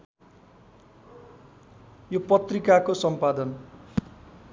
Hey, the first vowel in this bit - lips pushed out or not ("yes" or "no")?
yes